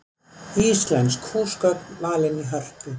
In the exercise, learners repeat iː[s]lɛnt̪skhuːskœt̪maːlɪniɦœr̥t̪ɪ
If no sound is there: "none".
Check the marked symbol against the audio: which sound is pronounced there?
s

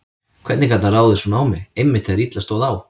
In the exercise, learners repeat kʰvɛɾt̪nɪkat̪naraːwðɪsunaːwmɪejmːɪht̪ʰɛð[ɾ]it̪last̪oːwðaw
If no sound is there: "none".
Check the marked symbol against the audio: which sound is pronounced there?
ɾ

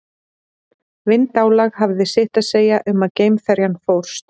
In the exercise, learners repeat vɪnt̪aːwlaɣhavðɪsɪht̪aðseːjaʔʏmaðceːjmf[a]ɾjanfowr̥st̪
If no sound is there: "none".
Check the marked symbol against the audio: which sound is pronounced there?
ɛ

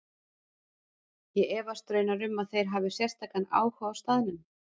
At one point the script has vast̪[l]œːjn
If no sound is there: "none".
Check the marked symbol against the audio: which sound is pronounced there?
ɾ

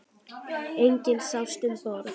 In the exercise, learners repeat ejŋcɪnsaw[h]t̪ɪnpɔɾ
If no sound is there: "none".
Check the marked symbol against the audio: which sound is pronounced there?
s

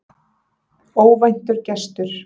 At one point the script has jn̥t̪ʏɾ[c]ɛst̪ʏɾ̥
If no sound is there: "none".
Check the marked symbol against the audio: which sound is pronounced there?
c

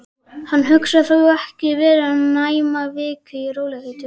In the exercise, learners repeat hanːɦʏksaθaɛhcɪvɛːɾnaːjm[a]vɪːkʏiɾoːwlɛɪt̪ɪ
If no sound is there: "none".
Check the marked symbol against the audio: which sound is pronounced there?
a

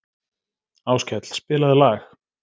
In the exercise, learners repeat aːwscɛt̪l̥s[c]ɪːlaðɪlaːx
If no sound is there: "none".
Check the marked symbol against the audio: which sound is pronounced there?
p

